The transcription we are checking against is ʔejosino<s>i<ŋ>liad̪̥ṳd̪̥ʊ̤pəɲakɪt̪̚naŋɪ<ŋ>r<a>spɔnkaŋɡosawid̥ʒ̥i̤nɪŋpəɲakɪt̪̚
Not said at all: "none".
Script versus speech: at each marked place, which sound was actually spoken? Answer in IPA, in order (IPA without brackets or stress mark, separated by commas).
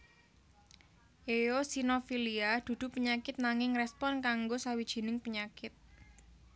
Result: f, none, ŋ, ɛ